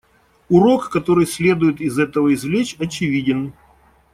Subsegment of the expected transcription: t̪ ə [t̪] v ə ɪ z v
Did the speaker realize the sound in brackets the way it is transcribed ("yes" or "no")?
no